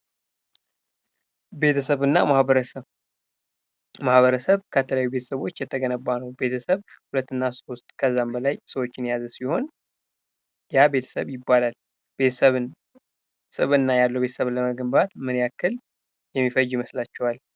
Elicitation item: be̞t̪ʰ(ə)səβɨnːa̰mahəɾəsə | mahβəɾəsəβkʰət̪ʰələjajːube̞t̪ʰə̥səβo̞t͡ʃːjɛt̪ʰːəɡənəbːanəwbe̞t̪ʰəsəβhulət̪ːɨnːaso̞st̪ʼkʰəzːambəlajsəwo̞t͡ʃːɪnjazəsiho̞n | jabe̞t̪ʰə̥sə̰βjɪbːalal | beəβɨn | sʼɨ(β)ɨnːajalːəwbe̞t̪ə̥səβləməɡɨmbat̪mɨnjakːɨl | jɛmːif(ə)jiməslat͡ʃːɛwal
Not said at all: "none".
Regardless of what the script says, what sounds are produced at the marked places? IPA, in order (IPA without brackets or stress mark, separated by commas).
ə, β, ə